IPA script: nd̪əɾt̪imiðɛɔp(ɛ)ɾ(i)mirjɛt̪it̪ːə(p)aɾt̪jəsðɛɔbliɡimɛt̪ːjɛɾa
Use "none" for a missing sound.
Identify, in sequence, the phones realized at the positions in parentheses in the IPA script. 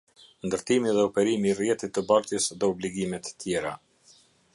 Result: ɛ, i, b

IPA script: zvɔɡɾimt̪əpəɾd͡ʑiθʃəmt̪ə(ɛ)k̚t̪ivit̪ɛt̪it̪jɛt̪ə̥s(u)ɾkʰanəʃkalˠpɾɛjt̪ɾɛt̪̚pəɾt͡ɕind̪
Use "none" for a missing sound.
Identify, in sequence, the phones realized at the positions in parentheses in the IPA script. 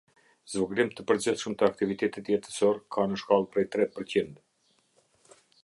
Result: a, ɔ

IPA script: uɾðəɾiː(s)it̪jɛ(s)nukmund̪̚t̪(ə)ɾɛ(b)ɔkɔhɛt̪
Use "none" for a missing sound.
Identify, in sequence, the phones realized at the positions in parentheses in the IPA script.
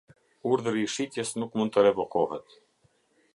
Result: ʃ, s, ə, v

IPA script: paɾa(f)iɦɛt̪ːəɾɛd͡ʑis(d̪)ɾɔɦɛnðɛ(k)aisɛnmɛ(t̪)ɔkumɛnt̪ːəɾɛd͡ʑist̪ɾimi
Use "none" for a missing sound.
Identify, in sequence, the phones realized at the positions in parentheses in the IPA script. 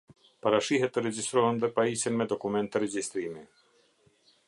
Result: ʃ, t̪, p, d̪

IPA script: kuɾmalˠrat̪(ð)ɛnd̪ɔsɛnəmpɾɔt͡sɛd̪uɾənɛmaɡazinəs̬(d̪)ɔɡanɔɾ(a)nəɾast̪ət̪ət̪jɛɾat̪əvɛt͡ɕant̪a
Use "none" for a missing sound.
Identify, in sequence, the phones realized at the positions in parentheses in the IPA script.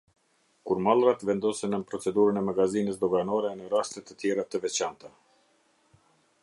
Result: v, d̪, ɛ

